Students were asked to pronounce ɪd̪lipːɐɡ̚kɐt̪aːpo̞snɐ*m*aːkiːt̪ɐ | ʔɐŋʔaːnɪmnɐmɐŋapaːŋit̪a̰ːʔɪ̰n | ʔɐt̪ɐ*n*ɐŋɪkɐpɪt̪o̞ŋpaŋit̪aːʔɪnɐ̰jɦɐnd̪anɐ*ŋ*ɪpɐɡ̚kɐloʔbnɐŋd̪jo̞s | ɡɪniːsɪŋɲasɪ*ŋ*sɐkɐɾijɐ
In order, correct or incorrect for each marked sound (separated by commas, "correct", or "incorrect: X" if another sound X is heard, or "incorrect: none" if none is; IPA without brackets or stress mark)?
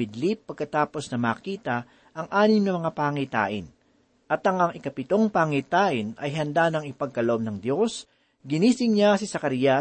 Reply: correct, incorrect: ŋ, correct, incorrect: none